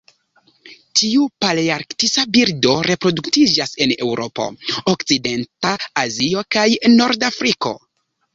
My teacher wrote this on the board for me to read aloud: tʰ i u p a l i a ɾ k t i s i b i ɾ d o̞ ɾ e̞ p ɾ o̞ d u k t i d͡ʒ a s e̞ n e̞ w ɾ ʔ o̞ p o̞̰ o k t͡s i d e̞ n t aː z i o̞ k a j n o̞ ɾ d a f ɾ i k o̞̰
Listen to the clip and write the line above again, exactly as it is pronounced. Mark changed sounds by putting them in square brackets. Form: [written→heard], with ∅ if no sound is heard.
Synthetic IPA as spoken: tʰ i u p a l i a ɾ k t i s [i→a] b i ɾ d o̞ ɾ e̞ p ɾ o̞ d u k t i d͡ʒ a s e̞ n e̞ w ɾ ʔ o̞ p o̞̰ o k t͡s i d e̞ n t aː z i o̞ k a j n o̞ ɾ d a f ɾ i k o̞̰